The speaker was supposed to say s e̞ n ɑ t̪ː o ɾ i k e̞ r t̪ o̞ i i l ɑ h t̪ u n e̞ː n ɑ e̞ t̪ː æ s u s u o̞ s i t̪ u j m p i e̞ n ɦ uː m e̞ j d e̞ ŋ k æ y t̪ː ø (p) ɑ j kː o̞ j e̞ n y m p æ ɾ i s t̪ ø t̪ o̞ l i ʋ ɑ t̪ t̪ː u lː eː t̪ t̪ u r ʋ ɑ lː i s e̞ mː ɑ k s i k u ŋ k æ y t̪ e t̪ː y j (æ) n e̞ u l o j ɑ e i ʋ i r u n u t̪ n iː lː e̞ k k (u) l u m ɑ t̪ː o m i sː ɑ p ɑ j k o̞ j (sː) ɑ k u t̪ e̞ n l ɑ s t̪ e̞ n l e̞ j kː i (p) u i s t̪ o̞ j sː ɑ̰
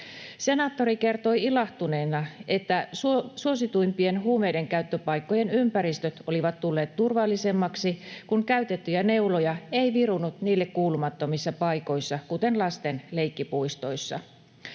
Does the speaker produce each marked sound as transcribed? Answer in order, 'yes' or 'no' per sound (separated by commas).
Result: yes, yes, no, yes, yes